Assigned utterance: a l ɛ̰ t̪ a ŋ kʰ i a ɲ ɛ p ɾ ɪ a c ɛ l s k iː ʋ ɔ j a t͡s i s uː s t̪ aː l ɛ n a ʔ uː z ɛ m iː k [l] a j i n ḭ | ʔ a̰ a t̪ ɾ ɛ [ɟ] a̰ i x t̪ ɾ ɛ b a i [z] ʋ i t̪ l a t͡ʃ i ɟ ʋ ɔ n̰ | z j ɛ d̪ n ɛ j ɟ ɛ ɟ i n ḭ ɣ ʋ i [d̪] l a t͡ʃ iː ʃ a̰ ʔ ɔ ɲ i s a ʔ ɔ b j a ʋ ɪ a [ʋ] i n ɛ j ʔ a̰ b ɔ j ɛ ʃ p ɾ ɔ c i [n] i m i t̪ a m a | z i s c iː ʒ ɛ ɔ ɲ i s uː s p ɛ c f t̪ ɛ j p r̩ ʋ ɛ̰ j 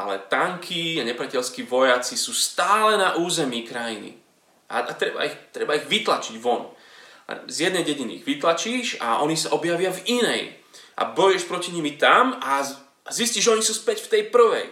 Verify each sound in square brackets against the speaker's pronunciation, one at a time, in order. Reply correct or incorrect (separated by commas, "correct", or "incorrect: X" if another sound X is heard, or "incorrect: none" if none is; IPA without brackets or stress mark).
incorrect: ɾ, incorrect: b, incorrect: ɣ, incorrect: t̪, incorrect: v, incorrect: ɲ